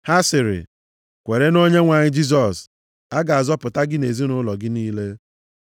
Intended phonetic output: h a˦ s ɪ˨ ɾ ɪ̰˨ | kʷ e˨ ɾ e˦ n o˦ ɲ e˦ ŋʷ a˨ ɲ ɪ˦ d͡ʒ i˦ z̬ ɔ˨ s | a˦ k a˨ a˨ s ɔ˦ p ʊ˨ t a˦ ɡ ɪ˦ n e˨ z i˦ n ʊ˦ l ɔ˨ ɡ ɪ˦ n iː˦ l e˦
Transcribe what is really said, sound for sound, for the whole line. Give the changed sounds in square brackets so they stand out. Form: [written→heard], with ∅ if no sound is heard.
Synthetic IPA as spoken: h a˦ s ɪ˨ ɾ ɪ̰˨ | kʷ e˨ ɾ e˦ n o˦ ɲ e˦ ŋʷ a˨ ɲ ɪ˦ d͡ʒ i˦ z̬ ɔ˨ s | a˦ [k→ɡ] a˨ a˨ [s→z] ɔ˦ p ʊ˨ t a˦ ɡ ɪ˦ n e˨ z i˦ n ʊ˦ l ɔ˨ ɡ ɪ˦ n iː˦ l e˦